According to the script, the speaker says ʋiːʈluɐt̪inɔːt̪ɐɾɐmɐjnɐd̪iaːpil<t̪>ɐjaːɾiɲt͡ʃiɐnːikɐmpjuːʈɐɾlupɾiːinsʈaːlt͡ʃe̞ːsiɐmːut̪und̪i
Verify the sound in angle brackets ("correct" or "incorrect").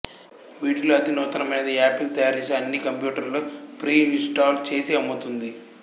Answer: correct